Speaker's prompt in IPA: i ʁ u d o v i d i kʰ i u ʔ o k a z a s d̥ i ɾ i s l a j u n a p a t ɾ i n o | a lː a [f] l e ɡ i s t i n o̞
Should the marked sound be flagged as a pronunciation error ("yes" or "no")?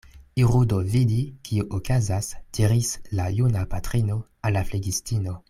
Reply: no